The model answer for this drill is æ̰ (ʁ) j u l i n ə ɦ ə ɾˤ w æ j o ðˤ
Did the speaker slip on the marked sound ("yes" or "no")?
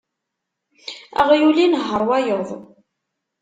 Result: no